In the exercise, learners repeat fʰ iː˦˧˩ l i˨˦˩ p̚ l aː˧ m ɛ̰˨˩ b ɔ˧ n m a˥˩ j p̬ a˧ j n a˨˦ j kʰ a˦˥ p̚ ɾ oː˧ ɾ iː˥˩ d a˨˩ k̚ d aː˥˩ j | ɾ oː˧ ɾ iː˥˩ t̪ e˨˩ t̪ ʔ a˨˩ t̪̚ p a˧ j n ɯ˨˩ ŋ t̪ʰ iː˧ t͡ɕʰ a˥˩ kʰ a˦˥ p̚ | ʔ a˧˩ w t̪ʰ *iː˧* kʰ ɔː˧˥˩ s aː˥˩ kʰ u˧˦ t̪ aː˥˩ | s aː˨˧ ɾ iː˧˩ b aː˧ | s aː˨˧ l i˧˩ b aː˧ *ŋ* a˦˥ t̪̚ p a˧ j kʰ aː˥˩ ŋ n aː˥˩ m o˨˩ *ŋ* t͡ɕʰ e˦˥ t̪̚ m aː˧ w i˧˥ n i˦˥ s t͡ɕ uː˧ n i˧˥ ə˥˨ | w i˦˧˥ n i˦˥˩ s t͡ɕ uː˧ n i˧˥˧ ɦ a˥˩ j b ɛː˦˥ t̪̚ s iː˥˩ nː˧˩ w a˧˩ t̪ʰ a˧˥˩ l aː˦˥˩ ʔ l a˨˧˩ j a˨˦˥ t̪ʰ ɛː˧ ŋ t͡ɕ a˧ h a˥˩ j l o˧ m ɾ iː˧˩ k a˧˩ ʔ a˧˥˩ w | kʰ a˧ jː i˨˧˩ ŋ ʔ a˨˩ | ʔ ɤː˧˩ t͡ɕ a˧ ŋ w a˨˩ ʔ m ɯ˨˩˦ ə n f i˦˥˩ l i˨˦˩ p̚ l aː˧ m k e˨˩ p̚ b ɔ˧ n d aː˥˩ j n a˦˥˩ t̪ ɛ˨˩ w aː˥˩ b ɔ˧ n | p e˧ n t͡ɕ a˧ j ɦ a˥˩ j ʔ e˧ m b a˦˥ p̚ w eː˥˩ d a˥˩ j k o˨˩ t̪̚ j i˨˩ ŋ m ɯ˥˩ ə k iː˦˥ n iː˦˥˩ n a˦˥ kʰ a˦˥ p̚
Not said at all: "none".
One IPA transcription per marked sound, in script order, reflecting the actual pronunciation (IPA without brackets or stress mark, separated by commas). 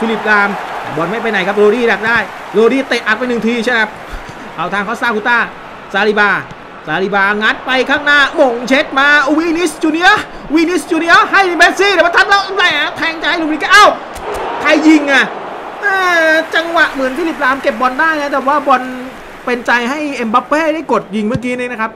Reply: aː˧, ŋ, ŋ